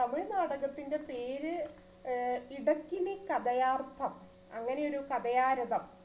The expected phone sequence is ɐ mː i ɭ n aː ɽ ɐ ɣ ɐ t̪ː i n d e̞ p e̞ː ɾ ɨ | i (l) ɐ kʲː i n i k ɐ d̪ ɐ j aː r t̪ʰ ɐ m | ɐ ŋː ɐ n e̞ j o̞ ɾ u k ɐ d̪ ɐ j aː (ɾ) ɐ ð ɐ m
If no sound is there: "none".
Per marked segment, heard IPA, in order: ɽ, ɾ

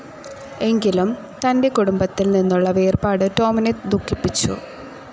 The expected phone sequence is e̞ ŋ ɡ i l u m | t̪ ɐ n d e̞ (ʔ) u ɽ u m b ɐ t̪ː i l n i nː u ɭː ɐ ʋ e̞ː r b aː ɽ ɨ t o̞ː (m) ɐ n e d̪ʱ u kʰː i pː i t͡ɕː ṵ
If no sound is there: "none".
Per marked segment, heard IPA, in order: k, m

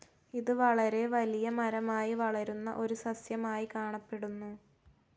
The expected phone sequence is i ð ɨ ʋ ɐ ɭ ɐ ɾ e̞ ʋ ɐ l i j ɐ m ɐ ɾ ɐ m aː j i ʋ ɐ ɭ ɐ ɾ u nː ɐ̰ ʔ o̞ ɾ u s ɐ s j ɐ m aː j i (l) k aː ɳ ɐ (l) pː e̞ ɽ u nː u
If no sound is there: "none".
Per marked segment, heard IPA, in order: none, none

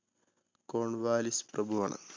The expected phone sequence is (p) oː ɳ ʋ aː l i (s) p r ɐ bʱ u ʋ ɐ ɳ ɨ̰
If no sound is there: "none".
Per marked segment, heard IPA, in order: k, s

